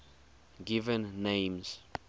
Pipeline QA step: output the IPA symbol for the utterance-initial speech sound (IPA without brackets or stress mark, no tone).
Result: ɡ